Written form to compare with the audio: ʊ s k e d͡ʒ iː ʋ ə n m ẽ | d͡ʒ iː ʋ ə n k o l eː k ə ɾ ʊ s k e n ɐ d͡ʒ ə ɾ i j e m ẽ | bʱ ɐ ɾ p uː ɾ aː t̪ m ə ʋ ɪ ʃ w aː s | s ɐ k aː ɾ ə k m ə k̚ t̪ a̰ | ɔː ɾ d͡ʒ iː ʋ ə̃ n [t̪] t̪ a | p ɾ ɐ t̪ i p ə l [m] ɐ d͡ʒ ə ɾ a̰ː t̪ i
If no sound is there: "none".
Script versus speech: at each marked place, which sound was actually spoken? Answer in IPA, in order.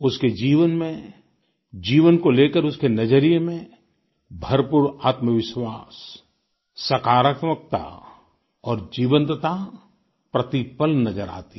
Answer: t̪, n

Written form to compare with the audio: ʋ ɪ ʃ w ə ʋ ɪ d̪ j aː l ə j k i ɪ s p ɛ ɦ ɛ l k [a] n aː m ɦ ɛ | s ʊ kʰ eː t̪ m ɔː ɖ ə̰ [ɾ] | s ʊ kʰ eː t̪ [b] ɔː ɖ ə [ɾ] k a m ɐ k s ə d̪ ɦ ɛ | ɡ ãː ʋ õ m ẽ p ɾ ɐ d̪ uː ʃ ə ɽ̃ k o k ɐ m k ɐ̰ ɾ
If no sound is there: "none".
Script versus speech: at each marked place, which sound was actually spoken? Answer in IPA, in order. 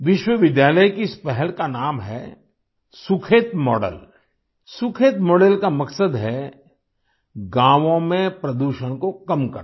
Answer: a, l, m, l

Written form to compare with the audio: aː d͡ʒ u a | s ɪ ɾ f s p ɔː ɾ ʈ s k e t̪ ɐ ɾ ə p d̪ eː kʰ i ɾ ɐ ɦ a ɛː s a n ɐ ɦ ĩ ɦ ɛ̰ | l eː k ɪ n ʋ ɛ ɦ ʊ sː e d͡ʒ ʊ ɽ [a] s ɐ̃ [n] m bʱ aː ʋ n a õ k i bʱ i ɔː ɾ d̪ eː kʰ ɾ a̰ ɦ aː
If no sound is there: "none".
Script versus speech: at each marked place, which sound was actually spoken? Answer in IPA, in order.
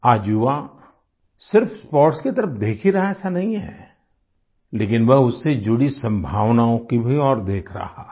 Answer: i, none

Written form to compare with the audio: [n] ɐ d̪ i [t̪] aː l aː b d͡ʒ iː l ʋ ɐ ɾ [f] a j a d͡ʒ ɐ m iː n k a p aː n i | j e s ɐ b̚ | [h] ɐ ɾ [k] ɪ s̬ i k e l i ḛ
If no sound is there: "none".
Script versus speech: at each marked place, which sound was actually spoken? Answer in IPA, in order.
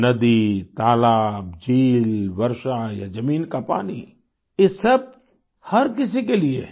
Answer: n, t̪, ʃ, h, k

